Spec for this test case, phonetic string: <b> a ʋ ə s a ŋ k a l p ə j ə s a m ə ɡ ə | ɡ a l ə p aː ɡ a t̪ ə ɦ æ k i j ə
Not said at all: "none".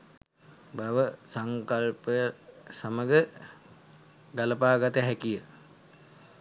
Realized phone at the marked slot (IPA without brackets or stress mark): b